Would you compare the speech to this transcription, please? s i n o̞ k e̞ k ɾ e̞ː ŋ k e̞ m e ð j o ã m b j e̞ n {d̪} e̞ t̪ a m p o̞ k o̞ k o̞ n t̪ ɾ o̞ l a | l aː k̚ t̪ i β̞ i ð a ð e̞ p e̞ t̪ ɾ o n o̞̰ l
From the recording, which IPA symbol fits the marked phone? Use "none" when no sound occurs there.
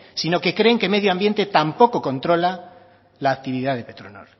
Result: t̪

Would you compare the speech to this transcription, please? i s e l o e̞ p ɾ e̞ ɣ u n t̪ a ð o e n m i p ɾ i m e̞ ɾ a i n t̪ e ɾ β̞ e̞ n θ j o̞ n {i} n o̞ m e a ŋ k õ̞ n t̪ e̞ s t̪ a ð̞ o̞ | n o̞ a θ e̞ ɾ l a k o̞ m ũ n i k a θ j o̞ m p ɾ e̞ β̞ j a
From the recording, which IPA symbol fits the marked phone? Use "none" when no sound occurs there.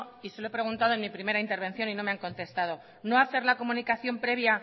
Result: i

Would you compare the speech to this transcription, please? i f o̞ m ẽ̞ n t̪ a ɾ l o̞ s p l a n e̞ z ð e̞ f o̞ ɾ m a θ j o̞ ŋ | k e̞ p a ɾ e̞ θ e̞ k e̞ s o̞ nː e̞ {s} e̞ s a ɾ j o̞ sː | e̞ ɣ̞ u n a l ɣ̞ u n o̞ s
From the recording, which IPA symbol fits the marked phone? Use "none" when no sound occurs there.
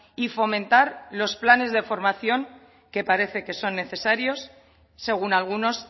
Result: θ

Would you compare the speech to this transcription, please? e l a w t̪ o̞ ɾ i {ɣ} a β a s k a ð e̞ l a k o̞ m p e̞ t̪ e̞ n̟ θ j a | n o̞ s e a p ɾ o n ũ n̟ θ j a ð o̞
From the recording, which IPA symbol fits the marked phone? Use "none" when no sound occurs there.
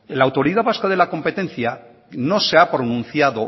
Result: ð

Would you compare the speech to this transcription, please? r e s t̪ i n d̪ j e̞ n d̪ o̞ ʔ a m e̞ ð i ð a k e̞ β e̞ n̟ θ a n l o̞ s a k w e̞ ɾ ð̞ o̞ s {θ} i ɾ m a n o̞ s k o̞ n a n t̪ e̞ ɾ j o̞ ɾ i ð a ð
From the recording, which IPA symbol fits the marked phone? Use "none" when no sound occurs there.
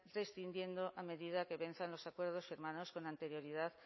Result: f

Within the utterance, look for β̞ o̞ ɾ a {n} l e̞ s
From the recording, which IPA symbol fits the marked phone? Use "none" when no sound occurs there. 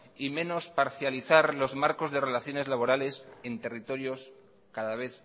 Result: none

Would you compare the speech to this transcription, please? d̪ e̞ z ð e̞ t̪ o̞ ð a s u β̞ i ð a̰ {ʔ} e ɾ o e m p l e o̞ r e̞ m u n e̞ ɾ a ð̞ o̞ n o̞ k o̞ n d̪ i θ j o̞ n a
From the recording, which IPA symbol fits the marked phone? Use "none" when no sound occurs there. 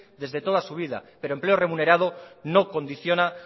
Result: p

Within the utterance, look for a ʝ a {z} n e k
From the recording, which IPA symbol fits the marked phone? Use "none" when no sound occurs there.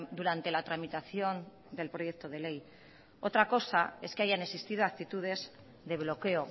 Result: none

